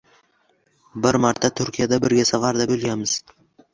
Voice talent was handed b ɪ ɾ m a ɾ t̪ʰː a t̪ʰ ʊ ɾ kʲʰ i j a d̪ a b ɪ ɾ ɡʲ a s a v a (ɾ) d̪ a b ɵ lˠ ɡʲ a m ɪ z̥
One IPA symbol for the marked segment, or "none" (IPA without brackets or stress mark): ɾ